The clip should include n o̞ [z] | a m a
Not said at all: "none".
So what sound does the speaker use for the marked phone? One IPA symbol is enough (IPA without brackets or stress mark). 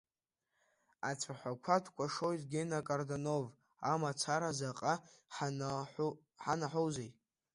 v